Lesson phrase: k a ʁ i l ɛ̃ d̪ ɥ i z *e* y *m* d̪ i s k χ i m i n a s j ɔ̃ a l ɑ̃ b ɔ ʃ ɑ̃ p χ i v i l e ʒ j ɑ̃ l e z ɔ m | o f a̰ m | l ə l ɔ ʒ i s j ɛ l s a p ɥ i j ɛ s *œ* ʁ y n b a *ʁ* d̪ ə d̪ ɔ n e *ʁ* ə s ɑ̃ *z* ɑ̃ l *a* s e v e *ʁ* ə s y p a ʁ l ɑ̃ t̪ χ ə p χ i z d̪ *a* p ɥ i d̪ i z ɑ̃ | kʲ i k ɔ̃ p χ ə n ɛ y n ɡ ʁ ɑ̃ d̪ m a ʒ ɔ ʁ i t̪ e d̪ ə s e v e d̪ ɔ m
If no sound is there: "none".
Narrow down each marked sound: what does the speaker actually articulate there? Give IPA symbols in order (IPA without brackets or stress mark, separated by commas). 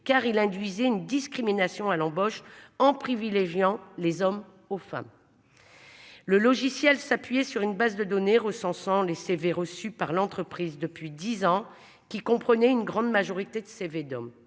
ɛ, n, y, z, ʁ, s, e, ʁ, ə